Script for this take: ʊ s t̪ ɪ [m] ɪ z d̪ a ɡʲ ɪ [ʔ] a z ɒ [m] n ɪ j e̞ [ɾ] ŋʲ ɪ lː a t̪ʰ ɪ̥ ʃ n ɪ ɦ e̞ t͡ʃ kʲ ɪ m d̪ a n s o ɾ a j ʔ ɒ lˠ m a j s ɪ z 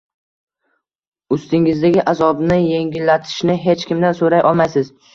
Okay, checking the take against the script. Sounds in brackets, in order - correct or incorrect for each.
incorrect: ŋ, correct, incorrect: b, incorrect: none

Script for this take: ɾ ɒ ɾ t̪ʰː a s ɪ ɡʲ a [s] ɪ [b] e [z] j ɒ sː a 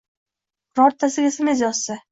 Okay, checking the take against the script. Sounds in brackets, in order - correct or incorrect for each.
correct, incorrect: m, correct

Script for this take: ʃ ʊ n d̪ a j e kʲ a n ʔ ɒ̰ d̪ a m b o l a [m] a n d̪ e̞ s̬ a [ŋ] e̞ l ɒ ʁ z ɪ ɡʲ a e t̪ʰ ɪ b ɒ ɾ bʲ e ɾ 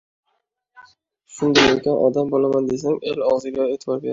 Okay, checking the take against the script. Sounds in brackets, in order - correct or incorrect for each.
correct, correct

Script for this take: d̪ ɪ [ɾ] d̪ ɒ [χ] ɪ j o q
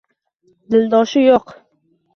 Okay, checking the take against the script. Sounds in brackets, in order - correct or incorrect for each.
incorrect: l, incorrect: ʃ

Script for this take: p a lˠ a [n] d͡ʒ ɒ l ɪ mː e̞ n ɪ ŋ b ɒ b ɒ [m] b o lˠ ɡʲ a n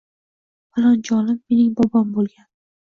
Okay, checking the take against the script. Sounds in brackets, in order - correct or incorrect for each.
correct, correct

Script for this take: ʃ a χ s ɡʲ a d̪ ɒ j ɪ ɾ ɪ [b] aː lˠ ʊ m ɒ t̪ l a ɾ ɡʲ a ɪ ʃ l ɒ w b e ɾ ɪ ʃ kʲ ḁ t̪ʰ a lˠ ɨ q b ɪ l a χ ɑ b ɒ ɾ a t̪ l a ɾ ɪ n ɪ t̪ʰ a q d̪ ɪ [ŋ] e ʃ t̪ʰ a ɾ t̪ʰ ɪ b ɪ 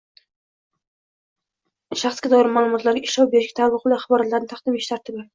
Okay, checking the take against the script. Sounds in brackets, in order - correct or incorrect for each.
incorrect: m, incorrect: m

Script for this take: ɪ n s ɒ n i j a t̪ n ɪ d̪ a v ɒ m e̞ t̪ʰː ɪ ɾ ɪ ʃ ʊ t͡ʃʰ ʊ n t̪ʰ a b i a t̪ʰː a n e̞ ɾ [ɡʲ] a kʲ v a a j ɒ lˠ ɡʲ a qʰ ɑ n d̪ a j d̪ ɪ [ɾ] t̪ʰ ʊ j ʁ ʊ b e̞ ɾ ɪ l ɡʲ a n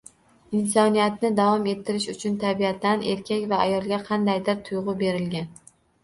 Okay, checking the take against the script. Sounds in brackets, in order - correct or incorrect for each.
incorrect: kʲ, correct

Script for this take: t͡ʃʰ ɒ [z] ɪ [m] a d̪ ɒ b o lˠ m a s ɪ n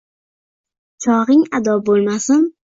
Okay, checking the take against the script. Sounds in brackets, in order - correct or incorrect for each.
incorrect: ʁ, incorrect: ŋ

